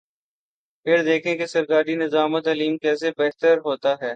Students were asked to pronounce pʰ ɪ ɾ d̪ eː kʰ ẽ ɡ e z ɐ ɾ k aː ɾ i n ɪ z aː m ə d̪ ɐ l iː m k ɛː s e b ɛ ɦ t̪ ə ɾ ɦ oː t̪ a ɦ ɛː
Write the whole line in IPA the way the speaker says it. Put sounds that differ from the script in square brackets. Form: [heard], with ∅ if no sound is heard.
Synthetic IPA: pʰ ɪ ɾ d̪ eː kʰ ẽ [k] e [s] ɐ ɾ k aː ɾ i n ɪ z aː m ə [t̪] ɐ l iː m k ɛː s e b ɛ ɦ t̪ ə ɾ ɦ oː t̪ a ɦ ɛː